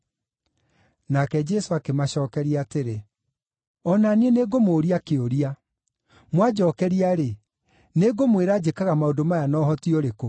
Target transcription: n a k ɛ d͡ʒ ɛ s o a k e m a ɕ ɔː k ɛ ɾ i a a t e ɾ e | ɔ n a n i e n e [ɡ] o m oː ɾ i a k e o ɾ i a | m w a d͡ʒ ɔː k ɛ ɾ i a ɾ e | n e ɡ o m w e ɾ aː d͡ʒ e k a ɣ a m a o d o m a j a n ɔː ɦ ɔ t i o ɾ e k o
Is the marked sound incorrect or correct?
correct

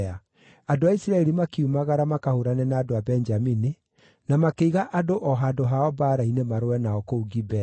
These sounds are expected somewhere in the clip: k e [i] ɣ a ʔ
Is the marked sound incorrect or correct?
correct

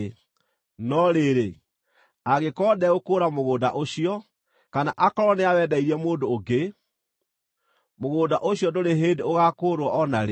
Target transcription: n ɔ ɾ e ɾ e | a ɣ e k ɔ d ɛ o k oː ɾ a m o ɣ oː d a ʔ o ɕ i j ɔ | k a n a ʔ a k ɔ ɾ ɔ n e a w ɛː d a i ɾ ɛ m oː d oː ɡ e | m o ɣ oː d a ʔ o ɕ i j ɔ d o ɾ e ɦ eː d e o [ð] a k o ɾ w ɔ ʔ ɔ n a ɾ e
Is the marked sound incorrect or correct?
incorrect: ɣ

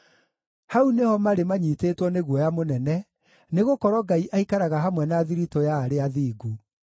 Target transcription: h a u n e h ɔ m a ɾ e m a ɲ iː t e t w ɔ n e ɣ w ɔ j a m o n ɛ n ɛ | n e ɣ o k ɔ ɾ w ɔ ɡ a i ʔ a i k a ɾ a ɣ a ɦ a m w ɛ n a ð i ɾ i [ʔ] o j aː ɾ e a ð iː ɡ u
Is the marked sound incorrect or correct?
incorrect: t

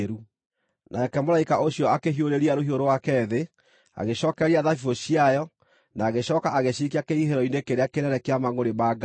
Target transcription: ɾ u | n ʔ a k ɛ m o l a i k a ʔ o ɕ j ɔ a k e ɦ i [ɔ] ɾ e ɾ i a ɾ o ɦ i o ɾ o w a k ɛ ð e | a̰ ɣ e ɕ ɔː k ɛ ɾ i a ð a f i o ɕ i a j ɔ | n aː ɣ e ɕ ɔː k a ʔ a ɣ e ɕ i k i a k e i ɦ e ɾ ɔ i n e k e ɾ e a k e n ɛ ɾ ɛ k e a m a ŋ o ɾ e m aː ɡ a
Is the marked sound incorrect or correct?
incorrect: o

